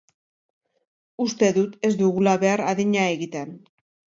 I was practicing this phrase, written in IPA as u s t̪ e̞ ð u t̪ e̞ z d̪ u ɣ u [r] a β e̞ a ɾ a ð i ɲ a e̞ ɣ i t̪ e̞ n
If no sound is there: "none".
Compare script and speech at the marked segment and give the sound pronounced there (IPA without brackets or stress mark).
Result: l